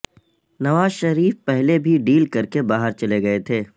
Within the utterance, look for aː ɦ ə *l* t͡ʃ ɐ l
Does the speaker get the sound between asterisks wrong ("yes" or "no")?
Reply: yes